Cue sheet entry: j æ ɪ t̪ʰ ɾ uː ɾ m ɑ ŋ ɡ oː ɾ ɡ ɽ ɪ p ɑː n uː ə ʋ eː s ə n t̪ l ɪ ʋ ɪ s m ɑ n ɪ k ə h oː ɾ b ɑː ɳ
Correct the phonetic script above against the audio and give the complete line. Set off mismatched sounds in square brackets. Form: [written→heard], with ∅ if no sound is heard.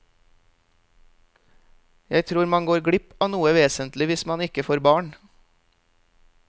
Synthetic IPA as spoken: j æ ɪ t̪ʰ ɾ uː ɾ m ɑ ŋ ɡ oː ɾ ɡ ɽ ɪ p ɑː n uː ə ʋ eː s ə n t̪ l ɪ ʋ ɪ s m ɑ n ɪ k ə [h→f] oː ɾ b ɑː ɳ